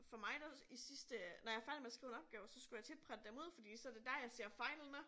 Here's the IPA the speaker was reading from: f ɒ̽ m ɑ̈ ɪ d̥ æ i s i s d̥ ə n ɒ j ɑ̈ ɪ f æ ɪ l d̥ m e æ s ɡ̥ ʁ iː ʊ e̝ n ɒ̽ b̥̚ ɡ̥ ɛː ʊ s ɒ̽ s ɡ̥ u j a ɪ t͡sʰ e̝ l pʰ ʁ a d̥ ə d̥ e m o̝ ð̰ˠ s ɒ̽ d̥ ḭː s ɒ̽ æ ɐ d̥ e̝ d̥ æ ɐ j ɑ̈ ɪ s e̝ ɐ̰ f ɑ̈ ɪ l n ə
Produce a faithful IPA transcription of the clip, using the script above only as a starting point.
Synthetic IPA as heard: f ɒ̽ m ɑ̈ ɪ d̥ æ i s i s d̥ ə n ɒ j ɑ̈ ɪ f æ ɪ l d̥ m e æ s ɡ̥ ʁ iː ʊ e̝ n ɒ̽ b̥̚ ɡ̥ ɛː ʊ s ɒ̽ s ɡ̥ u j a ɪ t͡sʰ e̝ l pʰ ʁ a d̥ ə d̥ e m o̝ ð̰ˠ f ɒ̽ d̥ ḭː s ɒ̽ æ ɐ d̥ e̝ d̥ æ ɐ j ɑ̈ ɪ s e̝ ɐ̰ f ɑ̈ ɪ l n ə